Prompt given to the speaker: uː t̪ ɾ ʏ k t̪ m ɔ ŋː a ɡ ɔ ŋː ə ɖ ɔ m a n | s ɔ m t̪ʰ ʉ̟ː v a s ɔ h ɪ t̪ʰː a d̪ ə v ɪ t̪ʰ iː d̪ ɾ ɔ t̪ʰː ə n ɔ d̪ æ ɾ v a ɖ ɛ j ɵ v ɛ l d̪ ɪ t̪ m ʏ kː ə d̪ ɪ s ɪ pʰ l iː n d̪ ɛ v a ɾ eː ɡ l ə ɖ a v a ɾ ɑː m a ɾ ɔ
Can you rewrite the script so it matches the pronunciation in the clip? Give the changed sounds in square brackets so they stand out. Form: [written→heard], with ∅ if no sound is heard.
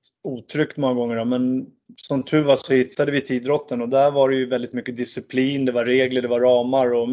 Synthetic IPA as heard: uː [t̪→t̪ʰ] ɾ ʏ k t̪ m ɔ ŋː a ɡ ɔ ŋː ə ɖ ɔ m [a→ɛ] n | s ɔ m t̪ʰ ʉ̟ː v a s ɔ h ɪ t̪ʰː a d̪ ə v ɪ t̪ʰ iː d̪ ɾ ɔ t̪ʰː ə n ɔ d̪ æ ɾ v a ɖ ɛ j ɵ v ɛ l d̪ ɪ t̪ m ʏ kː ə d̪ ɪ s ɪ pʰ l iː n d̪ ɛ v a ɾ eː ɡ l ə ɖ [a→ɛ] v a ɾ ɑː m a ɾ ɔ